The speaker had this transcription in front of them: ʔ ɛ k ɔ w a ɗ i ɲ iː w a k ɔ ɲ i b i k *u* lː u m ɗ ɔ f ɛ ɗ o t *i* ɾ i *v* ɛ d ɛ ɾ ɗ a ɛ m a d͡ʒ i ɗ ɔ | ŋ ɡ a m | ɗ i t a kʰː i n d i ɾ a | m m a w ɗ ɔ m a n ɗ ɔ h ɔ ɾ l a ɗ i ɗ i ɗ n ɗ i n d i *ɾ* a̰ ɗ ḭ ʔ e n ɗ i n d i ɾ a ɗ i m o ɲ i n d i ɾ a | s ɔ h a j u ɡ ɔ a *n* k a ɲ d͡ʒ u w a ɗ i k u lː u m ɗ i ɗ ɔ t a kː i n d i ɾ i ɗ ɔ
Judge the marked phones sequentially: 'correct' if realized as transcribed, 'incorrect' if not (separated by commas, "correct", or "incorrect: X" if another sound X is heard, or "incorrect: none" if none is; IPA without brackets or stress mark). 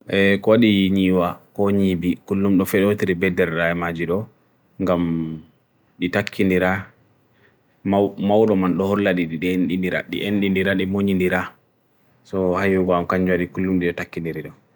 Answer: correct, correct, incorrect: b, correct, incorrect: m